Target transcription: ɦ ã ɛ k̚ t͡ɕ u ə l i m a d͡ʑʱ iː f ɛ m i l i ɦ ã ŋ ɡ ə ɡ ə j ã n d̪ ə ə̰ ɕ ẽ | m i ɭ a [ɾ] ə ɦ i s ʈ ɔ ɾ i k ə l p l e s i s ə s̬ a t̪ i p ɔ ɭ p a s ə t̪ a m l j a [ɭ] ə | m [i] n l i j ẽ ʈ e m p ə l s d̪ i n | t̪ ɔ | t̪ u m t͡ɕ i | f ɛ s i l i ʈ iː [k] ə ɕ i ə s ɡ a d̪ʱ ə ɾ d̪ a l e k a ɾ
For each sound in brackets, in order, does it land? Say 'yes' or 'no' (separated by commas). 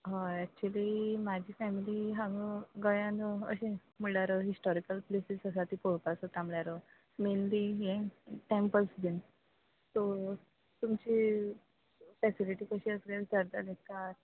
yes, no, no, yes